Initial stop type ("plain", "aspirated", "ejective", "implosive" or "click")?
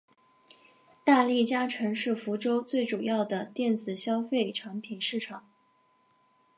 plain